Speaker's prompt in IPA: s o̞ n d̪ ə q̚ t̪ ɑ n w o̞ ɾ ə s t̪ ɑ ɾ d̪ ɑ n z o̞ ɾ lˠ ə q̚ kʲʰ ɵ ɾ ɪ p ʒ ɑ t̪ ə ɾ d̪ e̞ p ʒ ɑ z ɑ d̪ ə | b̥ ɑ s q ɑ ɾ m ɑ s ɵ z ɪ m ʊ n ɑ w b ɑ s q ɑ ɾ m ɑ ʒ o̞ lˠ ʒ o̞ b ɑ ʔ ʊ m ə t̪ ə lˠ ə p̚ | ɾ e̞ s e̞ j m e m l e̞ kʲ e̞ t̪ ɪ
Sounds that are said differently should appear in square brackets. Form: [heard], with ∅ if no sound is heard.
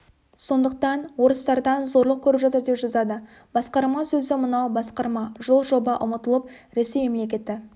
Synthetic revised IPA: s o̞ n d̪ ə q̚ t̪ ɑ n w o̞ ɾ ə s t̪ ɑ ɾ d̪ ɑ n z o̞ ɾ lˠ ə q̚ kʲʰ ɵ ɾ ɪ p ʒ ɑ t̪ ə ɾ d̪ e̞ p ʒ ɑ z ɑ d̪ ə | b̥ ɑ s q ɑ ɾ m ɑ s ɵ z ɪ m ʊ n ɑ w b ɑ s q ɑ ɾ m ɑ ʒ o̞ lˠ ʒ o̞ b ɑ ʔ ʊ m ə t̪ ə lˠ ə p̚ | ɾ e̞ s e̞ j m e m l e̞ kʲ e̞ t̪ ɪ